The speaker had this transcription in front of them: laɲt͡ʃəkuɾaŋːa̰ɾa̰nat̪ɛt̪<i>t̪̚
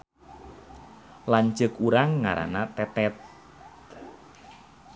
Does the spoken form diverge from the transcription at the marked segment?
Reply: yes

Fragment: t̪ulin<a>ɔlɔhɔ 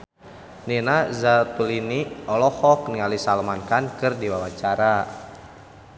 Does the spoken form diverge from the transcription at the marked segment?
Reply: yes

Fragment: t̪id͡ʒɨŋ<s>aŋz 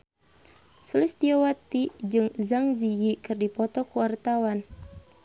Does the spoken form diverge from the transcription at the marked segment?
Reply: yes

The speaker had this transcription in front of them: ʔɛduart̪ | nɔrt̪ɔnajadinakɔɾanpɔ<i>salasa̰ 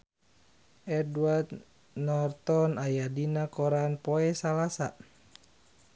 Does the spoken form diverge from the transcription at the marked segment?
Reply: yes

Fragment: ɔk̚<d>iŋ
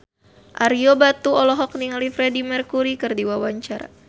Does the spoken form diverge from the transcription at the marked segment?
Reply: yes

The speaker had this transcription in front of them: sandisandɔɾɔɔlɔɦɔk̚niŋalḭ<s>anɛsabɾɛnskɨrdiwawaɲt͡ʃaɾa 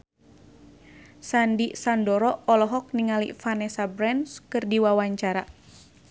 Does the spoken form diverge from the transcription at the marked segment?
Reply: yes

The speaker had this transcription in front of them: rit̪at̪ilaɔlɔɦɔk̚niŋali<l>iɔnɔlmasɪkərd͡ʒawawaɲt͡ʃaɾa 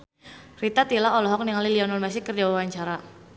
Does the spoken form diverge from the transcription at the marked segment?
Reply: no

